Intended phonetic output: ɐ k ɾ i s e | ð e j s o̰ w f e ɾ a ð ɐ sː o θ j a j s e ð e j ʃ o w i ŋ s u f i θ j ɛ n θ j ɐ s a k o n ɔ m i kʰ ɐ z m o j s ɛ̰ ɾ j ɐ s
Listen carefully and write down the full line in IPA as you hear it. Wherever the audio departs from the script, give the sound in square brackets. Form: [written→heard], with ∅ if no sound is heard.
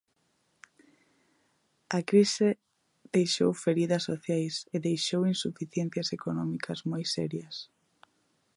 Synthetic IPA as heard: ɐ k ɾ i s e | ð e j [s→ʃ] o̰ w f e ɾ [a→i] ð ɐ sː o θ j a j s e ð e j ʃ o w i [ŋ→n] s u f i θ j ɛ n θ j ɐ s [a→e] k o n ɔ m i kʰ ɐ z m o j s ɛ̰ ɾ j ɐ s